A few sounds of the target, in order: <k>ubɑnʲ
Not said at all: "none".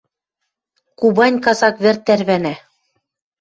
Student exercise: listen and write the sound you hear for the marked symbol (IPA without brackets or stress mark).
k